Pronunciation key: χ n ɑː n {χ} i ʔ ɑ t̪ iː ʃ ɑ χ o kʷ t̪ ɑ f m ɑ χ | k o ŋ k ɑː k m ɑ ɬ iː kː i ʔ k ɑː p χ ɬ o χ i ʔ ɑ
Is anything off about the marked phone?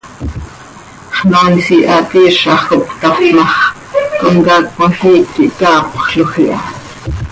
yes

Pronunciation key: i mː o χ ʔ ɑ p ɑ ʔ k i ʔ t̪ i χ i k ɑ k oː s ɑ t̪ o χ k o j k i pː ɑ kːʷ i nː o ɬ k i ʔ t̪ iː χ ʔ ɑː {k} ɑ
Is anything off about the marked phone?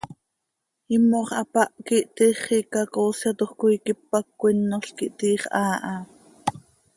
yes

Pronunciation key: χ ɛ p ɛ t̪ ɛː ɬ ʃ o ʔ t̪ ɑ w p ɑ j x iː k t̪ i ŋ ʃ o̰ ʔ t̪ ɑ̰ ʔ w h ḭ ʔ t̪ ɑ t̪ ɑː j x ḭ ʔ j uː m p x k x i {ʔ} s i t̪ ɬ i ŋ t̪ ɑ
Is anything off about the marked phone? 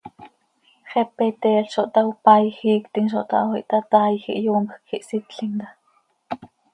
no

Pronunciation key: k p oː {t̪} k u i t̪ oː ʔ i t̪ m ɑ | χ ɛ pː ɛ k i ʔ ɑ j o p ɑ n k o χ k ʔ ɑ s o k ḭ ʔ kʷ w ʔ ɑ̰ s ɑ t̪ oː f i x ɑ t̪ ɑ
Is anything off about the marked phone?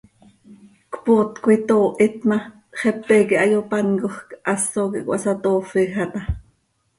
no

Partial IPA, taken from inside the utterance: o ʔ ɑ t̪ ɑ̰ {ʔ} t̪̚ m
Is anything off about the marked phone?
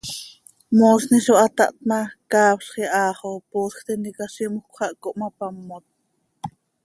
no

